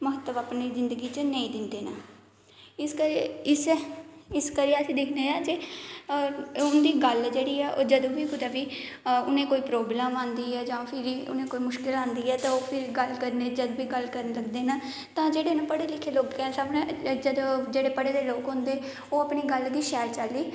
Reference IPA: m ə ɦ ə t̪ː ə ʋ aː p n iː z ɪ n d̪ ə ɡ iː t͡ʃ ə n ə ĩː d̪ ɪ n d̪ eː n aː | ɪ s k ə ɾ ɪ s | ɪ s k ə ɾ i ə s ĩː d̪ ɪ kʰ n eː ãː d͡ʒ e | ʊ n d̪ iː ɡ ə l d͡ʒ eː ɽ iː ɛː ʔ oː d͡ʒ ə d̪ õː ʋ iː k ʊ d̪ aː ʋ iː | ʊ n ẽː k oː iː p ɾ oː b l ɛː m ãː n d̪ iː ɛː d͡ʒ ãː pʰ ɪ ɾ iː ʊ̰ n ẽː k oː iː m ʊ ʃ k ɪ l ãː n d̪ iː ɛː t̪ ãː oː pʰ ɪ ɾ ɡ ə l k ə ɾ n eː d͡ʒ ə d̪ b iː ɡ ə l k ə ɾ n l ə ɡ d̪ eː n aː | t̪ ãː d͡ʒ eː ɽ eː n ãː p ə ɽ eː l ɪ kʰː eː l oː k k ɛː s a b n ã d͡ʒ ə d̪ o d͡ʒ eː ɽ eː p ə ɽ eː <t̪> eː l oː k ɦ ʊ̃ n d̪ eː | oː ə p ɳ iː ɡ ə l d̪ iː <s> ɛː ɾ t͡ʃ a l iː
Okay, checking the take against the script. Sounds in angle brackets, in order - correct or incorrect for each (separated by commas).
incorrect, incorrect